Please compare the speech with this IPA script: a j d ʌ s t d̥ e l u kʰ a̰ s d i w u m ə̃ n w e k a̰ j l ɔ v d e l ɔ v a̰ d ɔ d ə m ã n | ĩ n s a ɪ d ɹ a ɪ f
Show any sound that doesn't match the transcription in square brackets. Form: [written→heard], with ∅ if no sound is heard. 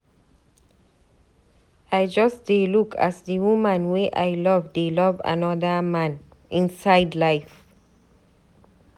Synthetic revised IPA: a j [d→d͡ʒ] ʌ s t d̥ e l u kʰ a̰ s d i w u m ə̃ n w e [k→ʔ] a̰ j l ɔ v d e l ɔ v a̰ [d→n] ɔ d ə m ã n | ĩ n s a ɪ d [ɹ→l] a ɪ f